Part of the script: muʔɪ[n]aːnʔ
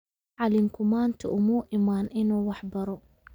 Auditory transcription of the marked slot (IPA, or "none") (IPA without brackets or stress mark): m